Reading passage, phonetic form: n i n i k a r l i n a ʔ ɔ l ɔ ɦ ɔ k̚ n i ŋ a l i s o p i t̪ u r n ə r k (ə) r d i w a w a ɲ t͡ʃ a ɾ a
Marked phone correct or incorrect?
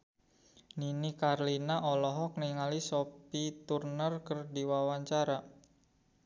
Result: correct